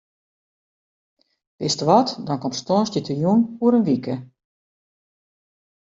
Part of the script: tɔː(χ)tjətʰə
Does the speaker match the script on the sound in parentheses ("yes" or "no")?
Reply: no